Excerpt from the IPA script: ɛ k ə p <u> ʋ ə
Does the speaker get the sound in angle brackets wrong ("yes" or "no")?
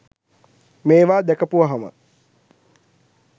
no